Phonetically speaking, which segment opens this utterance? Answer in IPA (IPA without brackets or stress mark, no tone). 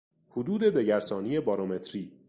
h